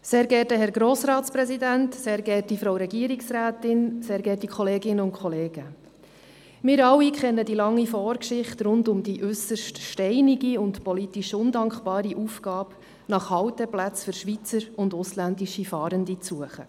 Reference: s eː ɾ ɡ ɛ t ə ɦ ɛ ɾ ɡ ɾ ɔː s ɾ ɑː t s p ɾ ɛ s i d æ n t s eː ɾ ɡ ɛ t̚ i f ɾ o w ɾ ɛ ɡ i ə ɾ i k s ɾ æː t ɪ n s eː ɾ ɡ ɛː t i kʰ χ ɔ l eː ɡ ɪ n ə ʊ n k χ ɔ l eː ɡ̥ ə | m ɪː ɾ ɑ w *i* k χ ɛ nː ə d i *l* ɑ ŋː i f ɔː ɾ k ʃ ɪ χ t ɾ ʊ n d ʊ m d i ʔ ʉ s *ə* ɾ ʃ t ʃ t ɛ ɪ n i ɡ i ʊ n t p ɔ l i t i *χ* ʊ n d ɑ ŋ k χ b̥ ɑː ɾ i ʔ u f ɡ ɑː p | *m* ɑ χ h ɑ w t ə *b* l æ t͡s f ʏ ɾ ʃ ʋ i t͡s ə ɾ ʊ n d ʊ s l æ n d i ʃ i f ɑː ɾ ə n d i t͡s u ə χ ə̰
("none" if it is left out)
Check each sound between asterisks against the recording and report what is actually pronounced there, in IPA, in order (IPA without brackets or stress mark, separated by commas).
i, l, ə, ʃ, n, p